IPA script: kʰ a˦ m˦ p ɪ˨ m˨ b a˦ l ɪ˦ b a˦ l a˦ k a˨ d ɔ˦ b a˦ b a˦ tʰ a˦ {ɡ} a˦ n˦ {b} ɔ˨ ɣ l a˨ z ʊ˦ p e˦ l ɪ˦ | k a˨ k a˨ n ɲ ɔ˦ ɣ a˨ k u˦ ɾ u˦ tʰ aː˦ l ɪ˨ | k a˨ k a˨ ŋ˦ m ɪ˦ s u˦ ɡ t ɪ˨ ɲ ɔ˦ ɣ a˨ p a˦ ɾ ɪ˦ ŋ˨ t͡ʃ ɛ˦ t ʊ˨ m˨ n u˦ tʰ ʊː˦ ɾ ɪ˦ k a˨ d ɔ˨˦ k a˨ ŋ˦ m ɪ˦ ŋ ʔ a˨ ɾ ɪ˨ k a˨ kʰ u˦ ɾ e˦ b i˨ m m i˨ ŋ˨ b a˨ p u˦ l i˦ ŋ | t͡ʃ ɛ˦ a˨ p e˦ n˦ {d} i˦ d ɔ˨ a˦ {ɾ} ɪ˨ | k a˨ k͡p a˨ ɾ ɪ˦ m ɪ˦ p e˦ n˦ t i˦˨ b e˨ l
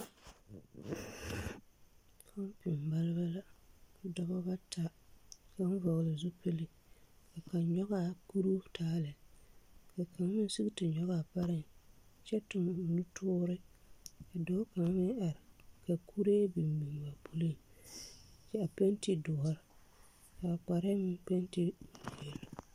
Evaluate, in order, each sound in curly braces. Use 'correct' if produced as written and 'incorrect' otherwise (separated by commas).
incorrect, incorrect, incorrect, correct